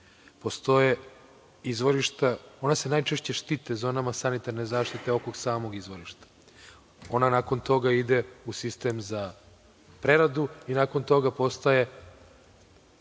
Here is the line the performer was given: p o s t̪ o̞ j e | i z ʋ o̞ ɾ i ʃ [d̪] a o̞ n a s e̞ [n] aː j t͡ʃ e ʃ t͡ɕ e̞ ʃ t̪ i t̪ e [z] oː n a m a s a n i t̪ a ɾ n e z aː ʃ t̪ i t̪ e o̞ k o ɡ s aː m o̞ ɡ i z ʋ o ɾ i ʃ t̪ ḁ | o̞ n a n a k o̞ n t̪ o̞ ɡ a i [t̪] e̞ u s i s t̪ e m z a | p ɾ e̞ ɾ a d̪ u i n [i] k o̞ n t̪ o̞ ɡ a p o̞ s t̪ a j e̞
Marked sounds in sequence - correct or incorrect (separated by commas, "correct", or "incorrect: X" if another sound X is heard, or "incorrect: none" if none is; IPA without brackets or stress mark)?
incorrect: t̪, correct, correct, incorrect: d̪, incorrect: a